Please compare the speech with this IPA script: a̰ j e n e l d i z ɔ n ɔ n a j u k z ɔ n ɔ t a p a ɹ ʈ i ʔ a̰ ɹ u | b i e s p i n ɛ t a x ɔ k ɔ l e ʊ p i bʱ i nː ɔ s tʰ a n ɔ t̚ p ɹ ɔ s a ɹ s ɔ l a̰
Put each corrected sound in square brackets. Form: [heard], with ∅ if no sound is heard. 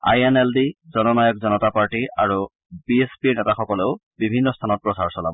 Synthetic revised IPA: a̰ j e n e l d i z ɔ n ɔ n a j [ɔ] k z ɔ n ɔ t a p a ɹ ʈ i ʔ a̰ ɹ u | b i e s p i n ɛ t a x ɔ k ɔ l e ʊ [b] i bʱ i nː ɔ s tʰ a n ɔ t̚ p ɹ ɔ s a ɹ s ɔ l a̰